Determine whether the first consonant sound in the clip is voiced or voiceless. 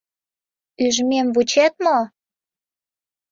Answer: voiced